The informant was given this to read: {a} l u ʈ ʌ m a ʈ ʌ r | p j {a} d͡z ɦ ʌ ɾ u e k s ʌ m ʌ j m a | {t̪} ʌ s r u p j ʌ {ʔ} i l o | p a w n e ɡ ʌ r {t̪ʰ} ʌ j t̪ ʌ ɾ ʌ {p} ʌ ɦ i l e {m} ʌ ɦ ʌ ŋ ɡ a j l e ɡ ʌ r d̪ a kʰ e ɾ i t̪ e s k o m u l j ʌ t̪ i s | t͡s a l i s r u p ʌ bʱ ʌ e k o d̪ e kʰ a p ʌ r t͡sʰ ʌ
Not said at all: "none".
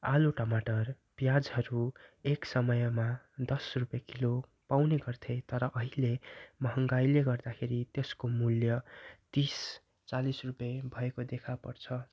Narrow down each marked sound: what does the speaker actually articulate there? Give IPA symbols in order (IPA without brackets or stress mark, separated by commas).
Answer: a, a, d̪, k, t̪ʰ, ʔ, m